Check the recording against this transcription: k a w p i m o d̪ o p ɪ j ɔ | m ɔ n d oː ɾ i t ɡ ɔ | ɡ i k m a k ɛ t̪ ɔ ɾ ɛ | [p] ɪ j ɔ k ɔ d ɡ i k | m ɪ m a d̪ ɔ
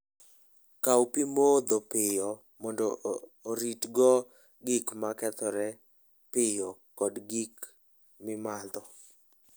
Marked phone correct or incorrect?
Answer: correct